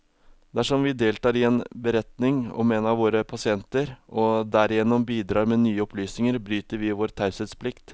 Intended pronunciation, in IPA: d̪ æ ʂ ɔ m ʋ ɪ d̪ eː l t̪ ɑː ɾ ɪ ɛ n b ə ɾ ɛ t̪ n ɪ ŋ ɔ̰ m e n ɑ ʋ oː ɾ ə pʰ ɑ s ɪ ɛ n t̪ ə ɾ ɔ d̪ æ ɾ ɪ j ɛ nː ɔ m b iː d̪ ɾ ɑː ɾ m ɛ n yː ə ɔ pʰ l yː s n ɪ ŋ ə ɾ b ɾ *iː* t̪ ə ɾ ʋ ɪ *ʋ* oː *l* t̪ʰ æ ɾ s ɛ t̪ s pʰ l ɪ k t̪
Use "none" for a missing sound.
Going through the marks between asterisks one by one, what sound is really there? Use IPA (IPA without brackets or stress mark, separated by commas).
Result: yː, ʋ, ɾ